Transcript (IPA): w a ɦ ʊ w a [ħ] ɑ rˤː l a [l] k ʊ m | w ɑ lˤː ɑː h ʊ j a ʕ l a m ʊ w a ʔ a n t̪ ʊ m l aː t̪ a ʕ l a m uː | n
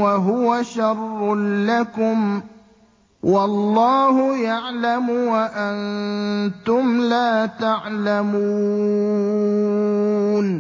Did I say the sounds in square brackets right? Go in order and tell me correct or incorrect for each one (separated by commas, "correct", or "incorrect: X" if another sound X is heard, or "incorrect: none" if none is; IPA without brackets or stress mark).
incorrect: ʃ, incorrect: none